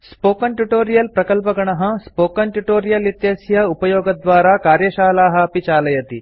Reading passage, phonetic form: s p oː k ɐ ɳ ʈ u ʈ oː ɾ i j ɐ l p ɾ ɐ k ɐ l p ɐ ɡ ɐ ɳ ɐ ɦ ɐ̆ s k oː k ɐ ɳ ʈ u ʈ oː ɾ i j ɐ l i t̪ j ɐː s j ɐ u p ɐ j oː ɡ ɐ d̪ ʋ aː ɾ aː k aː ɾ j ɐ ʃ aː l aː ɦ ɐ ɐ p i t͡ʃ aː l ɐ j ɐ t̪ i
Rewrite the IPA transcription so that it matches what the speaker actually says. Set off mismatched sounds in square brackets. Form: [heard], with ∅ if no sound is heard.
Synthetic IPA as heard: s p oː k ɐ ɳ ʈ u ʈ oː ɾ i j ɐ l p ɾ ɐ k ɐ l p ɐ ɡ ɐ ɳ ɐ ɦ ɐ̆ s [p] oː k ɐ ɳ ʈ u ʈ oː ɾ i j ɐ l i t̪ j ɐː s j ɐ u p ɐ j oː ɡ ɐ d̪ ʋ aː ɾ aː k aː ɾ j ɐ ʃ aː l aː ɦ ɐ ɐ p i t͡ʃ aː l ɐ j ɐ t̪ i